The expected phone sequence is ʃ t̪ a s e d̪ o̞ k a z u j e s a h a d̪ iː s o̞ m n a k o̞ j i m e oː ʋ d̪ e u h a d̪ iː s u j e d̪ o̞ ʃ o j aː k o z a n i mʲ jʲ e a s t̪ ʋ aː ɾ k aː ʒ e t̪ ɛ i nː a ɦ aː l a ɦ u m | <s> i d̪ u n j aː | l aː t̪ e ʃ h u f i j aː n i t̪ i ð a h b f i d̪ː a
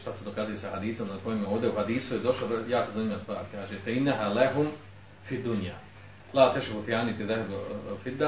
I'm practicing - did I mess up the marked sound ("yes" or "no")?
yes